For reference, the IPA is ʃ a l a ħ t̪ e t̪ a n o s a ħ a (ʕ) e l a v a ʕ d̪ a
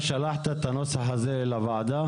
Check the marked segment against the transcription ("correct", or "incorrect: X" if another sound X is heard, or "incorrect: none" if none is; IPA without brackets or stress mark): incorrect: z